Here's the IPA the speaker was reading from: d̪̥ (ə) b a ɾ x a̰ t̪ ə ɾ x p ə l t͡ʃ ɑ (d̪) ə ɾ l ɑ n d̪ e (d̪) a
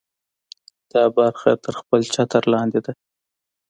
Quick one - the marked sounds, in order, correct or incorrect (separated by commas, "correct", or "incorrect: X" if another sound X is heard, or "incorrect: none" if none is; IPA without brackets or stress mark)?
incorrect: ɑ, incorrect: t̪, correct